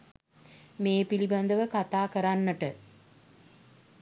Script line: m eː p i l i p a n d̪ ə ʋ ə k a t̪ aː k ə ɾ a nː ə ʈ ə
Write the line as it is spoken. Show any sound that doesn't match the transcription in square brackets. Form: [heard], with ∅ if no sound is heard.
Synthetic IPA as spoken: m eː p i l i [b] a n d̪ ə ʋ ə k a t̪ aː k ə ɾ a nː ə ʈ ə